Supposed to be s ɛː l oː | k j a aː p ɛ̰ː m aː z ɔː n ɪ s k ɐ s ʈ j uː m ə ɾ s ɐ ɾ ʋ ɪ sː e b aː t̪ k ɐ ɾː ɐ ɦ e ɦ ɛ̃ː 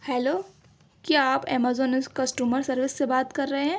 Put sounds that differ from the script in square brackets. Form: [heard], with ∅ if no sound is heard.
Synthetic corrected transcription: [h] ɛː l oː | k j a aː p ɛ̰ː m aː z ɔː n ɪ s k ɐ s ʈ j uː m ə ɾ s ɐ ɾ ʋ ɪ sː e b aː t̪ k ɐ ɾː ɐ ɦ e ɦ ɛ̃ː